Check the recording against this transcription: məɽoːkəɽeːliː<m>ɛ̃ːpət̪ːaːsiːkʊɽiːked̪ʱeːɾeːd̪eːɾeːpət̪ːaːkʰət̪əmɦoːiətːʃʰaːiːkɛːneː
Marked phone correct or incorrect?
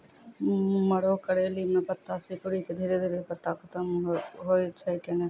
correct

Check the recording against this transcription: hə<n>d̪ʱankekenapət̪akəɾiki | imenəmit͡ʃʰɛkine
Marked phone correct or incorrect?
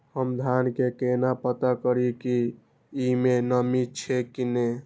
incorrect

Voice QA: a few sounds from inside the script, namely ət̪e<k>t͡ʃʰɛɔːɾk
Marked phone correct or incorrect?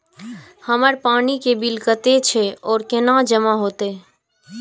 incorrect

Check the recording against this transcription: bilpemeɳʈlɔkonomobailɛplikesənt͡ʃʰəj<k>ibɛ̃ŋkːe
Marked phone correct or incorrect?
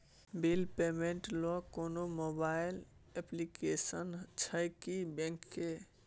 correct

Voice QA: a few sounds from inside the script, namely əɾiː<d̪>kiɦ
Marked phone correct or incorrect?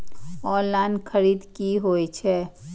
correct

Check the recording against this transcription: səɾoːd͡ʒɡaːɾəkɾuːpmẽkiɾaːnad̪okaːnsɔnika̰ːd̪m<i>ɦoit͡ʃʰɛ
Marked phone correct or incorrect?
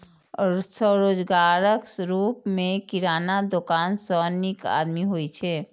correct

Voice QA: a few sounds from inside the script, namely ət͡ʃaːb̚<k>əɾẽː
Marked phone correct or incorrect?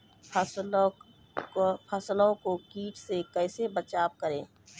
correct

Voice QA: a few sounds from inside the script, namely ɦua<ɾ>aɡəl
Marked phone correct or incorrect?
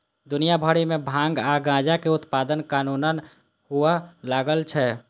incorrect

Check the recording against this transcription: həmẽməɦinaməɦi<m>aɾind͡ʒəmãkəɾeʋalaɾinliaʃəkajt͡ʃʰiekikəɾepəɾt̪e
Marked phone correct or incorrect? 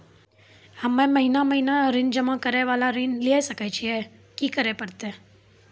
incorrect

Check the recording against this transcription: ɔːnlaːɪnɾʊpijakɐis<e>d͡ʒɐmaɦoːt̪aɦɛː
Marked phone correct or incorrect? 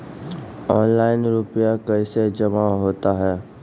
correct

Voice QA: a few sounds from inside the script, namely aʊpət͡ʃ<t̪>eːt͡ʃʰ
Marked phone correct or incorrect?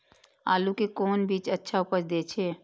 incorrect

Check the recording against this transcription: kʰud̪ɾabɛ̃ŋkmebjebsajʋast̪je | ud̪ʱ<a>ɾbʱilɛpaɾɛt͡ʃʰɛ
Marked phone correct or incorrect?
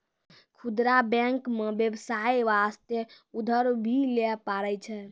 incorrect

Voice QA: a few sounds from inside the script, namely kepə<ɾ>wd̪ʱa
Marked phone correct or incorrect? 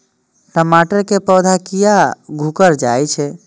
incorrect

